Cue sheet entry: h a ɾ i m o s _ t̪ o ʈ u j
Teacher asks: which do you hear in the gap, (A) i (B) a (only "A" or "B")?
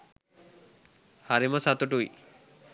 B